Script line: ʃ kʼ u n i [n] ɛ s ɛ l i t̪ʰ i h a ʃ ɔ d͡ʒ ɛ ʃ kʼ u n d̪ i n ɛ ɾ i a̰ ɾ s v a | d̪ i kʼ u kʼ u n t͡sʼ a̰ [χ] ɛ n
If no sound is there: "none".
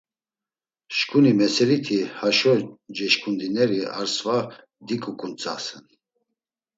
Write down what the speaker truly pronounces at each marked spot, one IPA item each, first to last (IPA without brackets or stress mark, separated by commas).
m, s